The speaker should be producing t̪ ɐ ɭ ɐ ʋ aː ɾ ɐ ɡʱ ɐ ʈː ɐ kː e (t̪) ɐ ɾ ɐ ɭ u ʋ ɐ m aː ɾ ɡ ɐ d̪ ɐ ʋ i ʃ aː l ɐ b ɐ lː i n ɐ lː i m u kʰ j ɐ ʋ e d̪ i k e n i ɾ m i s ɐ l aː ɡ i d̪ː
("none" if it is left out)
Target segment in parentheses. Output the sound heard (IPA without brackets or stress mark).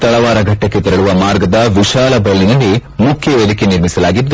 t̪